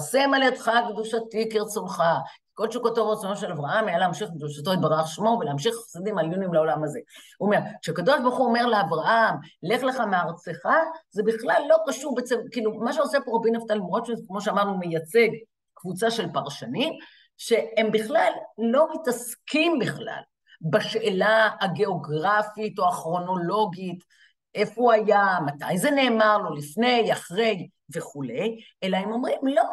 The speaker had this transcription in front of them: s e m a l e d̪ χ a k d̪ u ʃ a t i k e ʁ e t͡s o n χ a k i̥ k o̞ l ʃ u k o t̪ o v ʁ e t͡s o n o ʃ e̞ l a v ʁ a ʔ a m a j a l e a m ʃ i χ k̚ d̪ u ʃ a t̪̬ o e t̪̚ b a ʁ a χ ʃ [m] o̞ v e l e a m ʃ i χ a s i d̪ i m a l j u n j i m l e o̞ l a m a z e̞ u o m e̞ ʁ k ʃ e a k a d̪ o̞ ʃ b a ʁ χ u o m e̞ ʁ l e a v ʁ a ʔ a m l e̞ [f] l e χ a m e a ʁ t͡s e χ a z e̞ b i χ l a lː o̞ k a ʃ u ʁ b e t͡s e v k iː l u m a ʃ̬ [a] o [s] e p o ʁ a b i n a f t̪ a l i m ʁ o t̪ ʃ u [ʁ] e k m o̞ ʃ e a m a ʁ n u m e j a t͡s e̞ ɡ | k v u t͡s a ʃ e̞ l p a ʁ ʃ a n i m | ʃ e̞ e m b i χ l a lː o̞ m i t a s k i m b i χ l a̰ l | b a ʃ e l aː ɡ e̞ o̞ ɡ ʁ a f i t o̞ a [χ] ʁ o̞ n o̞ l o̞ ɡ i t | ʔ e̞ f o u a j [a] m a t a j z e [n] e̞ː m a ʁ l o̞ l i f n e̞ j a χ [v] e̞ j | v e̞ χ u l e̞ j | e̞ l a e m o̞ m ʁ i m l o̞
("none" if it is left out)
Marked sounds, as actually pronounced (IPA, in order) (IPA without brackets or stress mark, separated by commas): m, χ, e, s, z, χ, a, n, ʁ